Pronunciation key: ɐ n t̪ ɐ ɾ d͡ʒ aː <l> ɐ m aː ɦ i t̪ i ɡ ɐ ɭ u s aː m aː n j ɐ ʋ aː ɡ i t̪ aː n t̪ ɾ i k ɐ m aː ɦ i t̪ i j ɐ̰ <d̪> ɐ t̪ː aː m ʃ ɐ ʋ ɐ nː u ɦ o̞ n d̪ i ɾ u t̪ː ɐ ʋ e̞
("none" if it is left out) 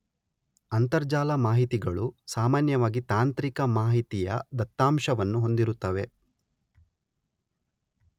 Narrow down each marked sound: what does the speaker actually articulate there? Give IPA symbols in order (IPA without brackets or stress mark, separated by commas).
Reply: l, d̪